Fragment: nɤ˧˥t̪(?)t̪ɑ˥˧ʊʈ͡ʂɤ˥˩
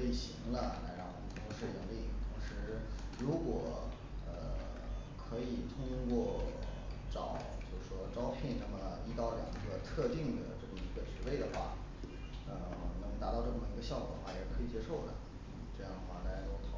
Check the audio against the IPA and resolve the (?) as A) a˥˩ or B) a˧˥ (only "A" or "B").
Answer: B